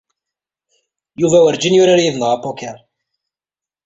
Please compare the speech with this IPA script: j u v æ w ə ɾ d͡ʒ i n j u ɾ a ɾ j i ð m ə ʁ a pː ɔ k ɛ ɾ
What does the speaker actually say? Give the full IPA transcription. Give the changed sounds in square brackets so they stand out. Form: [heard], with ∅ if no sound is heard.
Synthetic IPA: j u v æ w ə ɾ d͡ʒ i n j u ɾ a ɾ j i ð [n] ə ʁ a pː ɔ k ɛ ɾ